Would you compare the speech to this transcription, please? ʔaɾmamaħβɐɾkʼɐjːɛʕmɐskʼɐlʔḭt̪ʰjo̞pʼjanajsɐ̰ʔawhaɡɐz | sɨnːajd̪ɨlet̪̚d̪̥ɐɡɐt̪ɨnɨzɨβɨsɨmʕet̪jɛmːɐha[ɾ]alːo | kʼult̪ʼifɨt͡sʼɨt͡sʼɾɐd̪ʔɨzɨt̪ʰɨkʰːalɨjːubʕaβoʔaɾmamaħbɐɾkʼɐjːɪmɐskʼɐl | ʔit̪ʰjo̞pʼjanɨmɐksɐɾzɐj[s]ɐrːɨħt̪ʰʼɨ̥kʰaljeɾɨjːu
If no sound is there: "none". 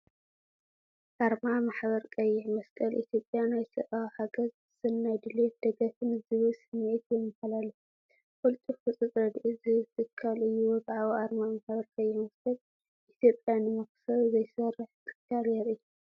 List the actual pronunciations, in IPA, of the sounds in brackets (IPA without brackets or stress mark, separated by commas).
l, s